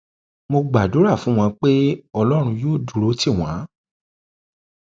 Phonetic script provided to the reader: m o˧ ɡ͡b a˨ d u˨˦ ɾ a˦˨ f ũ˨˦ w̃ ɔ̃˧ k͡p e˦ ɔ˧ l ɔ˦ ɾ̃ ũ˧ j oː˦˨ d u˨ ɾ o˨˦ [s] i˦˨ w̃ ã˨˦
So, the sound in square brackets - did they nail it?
no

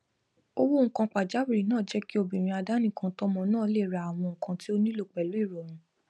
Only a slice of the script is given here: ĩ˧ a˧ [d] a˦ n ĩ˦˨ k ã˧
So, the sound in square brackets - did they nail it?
yes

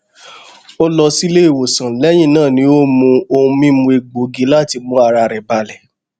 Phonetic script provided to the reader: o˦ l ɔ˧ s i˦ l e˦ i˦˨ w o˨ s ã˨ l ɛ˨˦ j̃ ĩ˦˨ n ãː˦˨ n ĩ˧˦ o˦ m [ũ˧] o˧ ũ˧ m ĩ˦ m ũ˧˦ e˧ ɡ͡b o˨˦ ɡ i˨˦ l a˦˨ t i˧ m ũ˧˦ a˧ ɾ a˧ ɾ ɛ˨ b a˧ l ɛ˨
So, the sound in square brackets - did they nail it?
yes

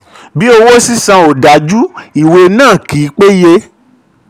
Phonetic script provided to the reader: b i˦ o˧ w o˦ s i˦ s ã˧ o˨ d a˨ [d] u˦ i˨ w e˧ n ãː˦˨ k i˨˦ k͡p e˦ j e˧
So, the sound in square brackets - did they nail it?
no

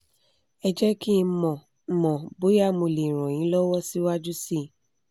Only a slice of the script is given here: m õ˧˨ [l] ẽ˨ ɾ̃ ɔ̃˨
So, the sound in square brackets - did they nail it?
yes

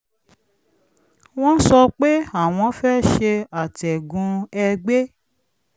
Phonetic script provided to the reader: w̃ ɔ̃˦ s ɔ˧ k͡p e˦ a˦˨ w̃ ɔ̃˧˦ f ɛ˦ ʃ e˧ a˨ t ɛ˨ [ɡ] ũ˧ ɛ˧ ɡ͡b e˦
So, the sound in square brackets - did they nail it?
yes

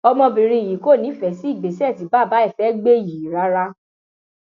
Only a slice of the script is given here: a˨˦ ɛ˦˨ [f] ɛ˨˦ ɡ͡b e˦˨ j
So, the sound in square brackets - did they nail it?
yes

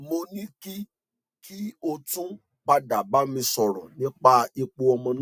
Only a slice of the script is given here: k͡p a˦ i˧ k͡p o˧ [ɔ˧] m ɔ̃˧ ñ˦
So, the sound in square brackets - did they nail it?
yes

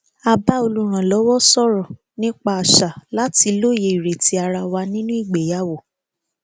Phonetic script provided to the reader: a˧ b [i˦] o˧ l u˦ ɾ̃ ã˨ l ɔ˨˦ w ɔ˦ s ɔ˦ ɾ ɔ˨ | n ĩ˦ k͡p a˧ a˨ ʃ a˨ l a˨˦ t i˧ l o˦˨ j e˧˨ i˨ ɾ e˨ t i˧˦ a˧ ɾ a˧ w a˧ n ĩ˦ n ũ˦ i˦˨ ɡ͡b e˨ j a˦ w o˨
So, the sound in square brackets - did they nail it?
no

